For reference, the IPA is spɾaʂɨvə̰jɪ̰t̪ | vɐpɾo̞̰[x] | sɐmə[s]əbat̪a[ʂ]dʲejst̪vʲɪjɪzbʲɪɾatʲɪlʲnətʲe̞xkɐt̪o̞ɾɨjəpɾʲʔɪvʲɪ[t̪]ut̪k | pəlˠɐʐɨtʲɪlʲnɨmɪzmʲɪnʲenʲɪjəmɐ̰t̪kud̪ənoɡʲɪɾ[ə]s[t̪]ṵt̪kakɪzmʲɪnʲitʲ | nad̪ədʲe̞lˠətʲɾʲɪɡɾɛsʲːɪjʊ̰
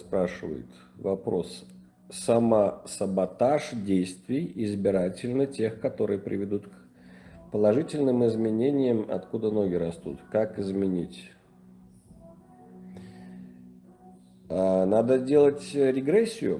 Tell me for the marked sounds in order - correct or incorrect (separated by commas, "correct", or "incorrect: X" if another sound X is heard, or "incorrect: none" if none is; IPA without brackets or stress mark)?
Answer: incorrect: s, correct, correct, incorrect: d̪, incorrect: ɐ, correct